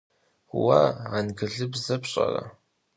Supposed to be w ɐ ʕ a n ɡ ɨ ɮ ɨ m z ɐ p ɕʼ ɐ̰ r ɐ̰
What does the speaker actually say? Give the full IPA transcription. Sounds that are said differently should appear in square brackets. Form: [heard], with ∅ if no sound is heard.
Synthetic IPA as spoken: w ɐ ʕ a n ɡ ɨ ɮ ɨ [b] z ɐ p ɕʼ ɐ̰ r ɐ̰

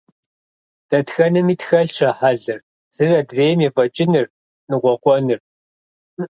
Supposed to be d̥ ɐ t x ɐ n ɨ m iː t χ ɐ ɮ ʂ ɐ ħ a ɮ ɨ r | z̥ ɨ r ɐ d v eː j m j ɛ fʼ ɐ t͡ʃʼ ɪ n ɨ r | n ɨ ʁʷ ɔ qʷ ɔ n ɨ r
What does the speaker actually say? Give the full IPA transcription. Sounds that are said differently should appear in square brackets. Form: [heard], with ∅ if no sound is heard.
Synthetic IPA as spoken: d̥ ɐ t x ɐ n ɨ m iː t [x] ɐ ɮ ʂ ɐ ħ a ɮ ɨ r | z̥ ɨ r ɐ d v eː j m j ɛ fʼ ɐ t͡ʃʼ ɪ n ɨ r | n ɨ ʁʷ ɔ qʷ ɔ n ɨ r

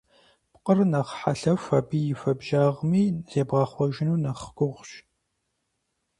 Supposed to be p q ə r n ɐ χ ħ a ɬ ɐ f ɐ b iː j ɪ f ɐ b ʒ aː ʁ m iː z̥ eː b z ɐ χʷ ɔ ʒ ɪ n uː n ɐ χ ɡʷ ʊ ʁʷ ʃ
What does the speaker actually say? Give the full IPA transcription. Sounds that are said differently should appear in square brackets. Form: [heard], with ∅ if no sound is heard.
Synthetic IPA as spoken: p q ə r n ɐ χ ħ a ɬ ɐ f ɐ b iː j ɪ f ɐ b ʒ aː ʁ m iː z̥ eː b [ʁ] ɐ χʷ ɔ ʒ ɪ n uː n ɐ χ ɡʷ ʊ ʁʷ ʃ

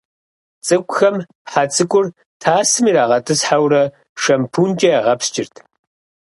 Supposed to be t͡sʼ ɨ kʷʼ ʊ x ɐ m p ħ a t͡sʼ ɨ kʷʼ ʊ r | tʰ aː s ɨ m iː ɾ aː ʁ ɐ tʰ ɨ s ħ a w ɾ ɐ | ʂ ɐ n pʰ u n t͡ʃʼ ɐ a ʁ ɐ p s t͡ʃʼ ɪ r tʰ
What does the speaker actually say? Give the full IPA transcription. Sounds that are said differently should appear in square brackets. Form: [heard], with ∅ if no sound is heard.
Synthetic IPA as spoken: t͡sʼ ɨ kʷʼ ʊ x ɐ m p ħ a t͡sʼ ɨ kʷʼ ʊ r | tʰ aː s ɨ m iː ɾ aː ʁ ɐ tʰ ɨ s ħ a w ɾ ɐ | ʂ ɐ [m] pʰ u n t͡ʃʼ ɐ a ʁ ɐ p s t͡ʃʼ ɪ r tʰ

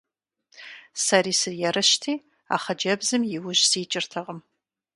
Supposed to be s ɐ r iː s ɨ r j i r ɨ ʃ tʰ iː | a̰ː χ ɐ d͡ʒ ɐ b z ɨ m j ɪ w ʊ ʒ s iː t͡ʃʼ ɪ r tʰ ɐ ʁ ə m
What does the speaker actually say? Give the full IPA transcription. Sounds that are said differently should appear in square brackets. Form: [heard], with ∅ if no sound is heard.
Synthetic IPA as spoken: s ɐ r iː s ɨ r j [ɛ] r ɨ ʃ tʰ iː | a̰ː χ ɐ d͡ʒ ɐ b z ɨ m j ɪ w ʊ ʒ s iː t͡ʃʼ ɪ r tʰ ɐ ʁ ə m

